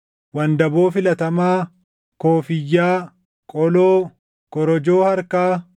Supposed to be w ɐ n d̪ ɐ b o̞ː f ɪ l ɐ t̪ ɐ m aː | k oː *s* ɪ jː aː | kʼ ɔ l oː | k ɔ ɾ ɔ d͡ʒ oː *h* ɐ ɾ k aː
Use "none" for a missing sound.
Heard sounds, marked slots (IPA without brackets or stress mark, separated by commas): f, h